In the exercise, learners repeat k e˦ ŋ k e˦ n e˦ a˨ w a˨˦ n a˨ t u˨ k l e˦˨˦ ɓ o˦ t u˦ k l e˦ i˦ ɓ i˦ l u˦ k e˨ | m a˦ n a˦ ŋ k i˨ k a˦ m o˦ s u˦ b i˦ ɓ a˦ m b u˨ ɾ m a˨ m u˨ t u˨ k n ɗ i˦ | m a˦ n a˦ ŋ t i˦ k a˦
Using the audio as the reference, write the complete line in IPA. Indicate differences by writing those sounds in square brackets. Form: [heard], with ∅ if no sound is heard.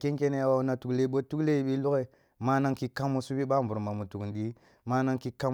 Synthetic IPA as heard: k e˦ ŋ k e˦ n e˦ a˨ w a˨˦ n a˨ t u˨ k l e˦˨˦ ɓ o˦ t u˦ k l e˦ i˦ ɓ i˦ l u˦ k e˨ | m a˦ n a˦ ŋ k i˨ k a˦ m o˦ s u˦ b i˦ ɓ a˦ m b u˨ ɾ m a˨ m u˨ t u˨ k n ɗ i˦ | m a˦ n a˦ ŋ [k] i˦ k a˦